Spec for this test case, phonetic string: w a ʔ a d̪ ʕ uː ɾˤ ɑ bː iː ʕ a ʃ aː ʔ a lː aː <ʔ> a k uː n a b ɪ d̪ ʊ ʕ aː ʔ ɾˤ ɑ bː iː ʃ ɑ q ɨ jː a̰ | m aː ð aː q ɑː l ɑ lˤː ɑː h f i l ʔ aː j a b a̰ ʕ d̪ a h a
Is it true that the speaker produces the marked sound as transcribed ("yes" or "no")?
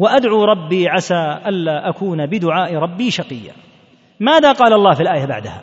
yes